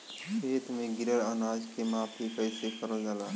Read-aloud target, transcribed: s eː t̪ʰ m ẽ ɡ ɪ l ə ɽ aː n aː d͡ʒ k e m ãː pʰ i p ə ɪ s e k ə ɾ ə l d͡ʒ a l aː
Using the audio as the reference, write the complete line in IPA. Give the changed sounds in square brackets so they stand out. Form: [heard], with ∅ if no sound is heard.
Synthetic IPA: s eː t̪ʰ m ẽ ɡ ɪ [ɾ] ə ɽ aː n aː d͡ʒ k e m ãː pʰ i p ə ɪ s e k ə ɾ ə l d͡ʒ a l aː